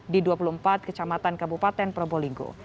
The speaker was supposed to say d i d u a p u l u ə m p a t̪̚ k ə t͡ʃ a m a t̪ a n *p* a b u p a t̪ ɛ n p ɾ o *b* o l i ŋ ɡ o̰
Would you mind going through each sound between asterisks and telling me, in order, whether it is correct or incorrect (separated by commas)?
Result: incorrect, correct